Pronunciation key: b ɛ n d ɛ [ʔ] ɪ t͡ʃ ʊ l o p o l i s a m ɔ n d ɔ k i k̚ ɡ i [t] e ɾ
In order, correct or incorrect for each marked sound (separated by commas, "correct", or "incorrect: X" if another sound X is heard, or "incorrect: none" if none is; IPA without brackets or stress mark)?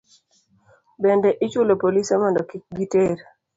correct, correct